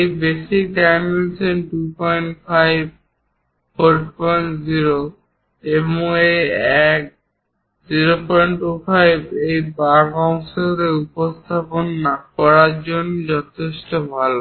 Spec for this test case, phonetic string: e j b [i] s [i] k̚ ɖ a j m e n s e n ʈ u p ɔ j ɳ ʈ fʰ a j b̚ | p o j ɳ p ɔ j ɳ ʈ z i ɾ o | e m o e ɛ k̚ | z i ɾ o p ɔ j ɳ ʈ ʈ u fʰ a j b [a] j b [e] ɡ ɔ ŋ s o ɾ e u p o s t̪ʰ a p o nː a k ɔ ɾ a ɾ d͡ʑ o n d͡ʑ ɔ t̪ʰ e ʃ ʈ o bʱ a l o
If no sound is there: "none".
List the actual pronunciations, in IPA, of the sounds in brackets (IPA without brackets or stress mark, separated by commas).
e, i, e, a